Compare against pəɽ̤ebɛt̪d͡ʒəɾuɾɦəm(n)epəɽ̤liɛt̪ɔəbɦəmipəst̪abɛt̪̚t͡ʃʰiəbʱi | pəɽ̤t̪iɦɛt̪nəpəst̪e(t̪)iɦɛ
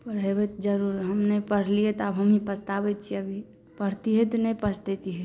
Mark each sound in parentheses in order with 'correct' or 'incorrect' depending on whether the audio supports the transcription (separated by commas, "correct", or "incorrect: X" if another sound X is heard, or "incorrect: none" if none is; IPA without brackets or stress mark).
correct, correct